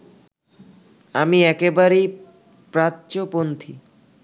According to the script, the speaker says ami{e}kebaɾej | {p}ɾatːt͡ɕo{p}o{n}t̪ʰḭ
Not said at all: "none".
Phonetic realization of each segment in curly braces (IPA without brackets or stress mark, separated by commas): ɛ, p, p, n